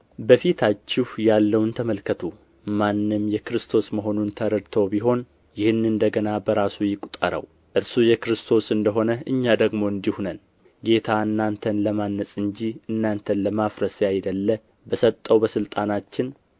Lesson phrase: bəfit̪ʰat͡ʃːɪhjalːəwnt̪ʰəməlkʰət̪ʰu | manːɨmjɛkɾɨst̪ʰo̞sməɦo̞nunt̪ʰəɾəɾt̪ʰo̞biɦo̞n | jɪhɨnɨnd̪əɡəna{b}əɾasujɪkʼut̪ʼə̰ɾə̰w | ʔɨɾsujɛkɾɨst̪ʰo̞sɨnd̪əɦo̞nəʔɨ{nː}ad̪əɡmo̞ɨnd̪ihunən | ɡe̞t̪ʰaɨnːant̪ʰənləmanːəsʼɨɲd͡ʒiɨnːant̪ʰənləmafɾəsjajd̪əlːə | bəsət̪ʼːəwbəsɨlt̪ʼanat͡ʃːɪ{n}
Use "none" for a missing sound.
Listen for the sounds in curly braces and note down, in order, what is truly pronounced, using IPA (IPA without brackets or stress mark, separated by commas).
b, ɲː, n